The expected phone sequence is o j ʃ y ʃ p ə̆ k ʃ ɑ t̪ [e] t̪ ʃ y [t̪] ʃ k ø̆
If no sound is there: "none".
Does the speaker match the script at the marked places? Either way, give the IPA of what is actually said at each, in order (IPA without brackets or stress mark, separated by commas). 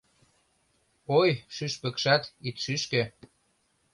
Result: i, none